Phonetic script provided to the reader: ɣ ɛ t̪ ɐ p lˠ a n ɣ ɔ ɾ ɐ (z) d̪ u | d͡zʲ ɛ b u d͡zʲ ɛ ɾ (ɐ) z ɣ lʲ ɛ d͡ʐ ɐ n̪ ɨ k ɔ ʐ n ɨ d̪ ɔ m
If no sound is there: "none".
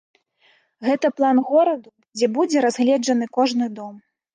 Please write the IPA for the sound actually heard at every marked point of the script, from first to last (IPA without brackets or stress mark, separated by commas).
none, a